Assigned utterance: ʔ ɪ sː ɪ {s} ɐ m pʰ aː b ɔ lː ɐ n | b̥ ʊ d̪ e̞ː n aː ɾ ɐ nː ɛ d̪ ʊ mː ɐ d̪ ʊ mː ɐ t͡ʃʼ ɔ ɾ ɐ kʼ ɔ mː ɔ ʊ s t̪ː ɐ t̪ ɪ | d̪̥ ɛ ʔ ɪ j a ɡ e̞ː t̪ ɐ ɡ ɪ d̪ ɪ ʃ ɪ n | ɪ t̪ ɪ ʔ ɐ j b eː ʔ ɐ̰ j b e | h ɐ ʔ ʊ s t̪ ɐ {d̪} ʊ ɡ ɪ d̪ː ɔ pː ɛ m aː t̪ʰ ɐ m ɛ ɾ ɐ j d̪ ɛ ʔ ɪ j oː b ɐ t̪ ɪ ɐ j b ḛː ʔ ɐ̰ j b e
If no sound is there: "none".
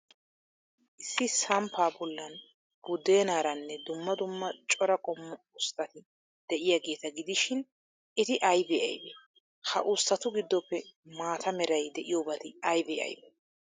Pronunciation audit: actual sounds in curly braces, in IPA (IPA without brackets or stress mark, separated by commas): s, t̪